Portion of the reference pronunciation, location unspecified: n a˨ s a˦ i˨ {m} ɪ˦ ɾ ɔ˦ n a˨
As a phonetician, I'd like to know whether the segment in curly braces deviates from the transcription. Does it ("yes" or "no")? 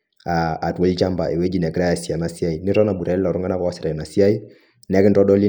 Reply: yes